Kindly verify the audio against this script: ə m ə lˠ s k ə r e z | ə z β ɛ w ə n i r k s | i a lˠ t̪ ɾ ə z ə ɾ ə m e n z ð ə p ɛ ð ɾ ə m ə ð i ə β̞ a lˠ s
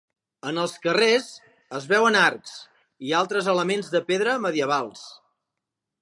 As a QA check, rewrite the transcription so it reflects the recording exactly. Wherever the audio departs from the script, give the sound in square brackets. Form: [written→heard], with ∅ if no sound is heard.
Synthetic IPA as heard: ə [m→n] ə lˠ s k ə r e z | ə z β ɛ w ə n [i→a] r k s | i a lˠ t̪ ɾ ə z ə [ɾ→l] ə m e n z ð ə p [ɛ→e] ð ɾ ə m ə ð i ə β̞ a lˠ s